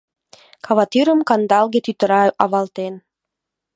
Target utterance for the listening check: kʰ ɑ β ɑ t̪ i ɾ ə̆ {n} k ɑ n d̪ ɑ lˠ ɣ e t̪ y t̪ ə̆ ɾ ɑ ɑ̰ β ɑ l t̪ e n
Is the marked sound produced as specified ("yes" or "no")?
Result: no